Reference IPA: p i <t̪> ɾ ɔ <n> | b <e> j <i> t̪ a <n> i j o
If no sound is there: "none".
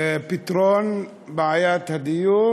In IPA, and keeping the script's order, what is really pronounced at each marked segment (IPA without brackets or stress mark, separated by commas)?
t̪, n, a, a, d